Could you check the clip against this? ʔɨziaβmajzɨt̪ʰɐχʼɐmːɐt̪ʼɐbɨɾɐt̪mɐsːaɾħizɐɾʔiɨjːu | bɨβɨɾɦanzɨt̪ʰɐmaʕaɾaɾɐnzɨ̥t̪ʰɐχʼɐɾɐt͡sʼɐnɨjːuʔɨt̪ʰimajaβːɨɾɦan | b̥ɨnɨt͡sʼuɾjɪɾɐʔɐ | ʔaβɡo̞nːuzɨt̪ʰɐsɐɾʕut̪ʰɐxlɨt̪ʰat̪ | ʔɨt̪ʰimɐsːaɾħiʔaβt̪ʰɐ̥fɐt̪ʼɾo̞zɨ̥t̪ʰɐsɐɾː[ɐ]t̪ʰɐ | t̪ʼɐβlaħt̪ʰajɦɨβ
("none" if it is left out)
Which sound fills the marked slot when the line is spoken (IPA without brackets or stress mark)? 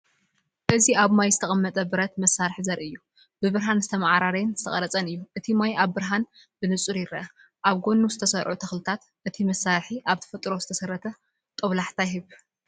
ɐ